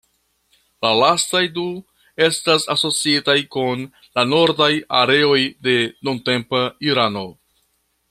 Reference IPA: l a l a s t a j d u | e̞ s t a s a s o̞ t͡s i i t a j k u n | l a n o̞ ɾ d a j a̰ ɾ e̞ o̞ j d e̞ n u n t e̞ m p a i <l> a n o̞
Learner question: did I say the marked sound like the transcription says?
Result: no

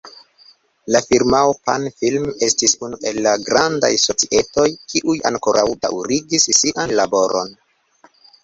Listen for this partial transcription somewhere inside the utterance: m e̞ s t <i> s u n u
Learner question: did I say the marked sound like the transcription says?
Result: yes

